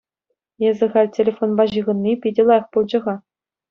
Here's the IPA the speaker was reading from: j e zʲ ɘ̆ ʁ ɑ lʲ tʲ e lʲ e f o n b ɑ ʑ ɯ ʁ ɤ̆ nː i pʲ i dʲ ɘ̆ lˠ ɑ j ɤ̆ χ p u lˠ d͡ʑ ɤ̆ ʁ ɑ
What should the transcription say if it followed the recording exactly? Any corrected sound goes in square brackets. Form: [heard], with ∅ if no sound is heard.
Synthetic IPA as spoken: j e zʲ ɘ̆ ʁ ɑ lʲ tʲ e lʲ e f o n b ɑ ʑ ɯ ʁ ɤ̆ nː i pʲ i dʲ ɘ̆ lˠ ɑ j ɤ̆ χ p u lˠ d͡ʑ ɤ̆ ʁ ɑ